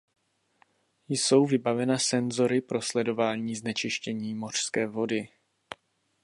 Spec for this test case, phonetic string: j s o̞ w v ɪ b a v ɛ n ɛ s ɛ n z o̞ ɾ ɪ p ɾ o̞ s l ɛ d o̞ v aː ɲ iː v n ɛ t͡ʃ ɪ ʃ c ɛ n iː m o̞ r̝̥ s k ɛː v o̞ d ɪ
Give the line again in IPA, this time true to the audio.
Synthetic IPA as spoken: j s o̞ w v ɪ b a v ɛ n a s ɛ n z o̞ ɾ ɪ p ɾ o̞ s l ɛ d o̞ v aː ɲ iː z n ɛ t͡ʃ ɪ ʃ c ɛ ɲ iː m o̞ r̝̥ s k ɛː v o̞ d ɪ